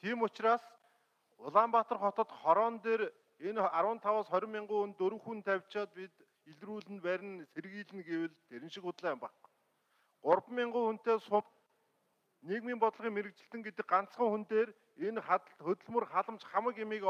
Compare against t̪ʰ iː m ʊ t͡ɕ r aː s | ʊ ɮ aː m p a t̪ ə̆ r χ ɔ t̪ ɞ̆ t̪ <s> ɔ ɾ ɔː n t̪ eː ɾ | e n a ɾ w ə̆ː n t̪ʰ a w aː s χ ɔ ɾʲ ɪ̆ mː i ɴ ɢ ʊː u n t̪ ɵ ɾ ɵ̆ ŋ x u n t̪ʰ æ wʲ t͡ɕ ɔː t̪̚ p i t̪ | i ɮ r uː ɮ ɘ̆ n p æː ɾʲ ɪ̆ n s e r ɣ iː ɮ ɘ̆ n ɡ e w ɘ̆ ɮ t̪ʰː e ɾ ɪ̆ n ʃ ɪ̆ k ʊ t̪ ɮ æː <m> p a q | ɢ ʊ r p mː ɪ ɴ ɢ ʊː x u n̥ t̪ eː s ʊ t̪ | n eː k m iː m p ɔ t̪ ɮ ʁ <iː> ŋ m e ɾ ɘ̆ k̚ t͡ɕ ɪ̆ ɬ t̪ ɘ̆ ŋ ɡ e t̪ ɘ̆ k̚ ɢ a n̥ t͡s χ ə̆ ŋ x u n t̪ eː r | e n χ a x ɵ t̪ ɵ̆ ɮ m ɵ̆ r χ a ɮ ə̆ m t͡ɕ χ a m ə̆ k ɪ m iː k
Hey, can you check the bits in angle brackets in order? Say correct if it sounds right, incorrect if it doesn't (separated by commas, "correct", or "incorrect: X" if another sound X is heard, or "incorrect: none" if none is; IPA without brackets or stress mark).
incorrect: χ, correct, correct